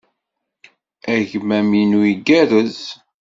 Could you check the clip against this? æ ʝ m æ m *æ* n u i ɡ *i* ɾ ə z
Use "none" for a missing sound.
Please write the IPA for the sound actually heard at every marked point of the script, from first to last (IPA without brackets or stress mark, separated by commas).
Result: i, æ